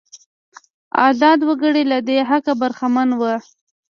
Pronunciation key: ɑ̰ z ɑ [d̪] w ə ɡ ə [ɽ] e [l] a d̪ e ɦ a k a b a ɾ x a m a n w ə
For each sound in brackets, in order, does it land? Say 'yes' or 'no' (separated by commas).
yes, yes, yes